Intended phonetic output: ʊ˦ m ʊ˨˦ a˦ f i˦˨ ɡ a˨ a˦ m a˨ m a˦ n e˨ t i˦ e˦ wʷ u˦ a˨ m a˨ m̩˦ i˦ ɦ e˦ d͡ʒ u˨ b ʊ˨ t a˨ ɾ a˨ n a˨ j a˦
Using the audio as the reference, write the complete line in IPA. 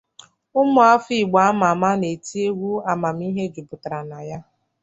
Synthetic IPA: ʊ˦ m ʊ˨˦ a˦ f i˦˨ ɡ͡b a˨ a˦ m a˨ m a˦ n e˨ t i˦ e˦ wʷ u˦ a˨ m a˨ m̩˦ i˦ ɦ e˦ d͡ʒ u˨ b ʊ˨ t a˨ ɾ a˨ n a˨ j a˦